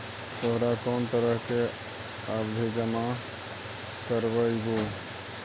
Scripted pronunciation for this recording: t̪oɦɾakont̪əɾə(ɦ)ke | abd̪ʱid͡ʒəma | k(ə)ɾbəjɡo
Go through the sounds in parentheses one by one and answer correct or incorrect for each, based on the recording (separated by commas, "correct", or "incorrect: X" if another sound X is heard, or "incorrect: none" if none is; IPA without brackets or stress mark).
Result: correct, correct